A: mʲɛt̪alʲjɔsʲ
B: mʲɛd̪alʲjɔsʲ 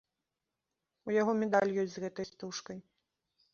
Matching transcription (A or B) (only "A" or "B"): B